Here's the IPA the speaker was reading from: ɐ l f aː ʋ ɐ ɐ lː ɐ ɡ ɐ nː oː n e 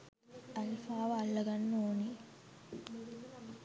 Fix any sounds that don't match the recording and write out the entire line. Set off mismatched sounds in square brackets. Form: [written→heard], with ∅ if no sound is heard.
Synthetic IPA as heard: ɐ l f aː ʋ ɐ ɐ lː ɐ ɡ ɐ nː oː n [e→i]